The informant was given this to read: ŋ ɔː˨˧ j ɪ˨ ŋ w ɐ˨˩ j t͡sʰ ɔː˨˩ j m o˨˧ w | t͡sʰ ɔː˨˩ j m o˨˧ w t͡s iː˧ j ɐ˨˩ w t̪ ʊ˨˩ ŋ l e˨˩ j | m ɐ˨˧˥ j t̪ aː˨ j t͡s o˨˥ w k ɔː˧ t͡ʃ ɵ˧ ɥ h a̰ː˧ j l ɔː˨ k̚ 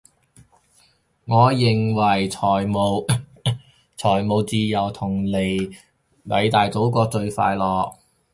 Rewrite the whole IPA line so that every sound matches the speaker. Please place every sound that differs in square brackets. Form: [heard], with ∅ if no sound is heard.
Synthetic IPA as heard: ŋ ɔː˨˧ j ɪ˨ ŋ w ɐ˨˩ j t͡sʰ ɔː˨˩ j m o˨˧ w | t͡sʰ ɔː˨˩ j m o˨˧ w t͡s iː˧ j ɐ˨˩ w [t̪ʰ] ʊ˨˩ ŋ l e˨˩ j | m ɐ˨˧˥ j t̪ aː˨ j t͡s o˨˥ w k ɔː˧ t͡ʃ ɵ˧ ɥ [f] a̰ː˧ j l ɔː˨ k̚